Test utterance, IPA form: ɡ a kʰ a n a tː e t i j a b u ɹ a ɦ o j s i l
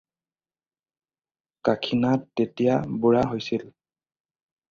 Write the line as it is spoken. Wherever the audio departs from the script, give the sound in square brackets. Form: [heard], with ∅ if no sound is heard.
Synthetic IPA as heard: [k] a kʰ [i] n a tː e t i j a b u ɹ a ɦ o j s i l